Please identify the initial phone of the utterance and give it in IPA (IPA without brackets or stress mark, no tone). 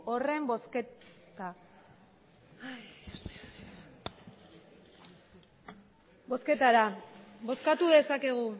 o